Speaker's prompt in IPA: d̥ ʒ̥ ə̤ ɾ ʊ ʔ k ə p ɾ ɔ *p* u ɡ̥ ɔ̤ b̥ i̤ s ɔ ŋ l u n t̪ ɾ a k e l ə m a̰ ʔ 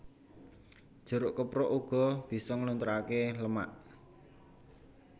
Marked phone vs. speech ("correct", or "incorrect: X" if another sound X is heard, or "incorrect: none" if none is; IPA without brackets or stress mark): incorrect: ʔ